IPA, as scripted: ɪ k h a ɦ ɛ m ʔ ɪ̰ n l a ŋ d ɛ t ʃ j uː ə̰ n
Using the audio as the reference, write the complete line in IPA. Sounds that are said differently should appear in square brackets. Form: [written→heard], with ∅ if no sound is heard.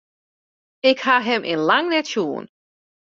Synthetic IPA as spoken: ɪ k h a ɦ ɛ m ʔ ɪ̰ n l a ŋ [d→n] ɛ t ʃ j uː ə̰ n